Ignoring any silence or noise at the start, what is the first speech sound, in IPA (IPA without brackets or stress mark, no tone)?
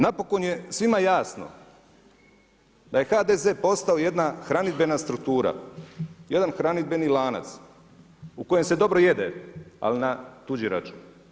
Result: n